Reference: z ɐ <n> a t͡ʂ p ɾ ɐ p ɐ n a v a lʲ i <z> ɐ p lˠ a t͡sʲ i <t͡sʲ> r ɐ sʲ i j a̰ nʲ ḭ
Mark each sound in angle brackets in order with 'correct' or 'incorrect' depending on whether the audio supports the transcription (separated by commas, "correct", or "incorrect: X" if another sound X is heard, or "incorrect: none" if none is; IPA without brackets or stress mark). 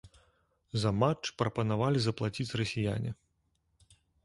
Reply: incorrect: m, correct, correct